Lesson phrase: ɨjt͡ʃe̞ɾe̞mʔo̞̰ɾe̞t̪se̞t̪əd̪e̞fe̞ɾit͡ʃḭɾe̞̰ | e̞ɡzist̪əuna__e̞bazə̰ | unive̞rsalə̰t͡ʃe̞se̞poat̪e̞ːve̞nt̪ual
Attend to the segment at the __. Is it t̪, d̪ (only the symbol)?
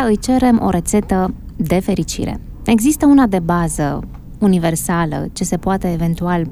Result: d̪